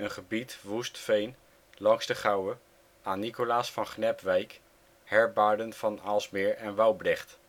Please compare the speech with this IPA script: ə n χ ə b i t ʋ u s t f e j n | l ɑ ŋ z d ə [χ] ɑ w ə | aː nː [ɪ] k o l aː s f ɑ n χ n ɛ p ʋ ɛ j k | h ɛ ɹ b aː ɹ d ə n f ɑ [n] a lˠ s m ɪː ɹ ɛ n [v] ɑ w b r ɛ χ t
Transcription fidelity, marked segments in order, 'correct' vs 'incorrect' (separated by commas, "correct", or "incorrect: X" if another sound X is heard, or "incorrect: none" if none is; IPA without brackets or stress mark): correct, incorrect: i, correct, incorrect: ʋ